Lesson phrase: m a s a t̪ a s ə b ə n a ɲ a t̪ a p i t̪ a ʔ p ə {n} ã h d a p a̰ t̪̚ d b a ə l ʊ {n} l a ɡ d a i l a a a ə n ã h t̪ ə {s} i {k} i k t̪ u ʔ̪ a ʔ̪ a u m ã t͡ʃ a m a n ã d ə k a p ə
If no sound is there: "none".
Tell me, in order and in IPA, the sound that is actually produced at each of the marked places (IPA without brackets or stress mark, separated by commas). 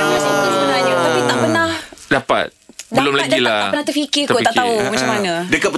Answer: n, m, f, k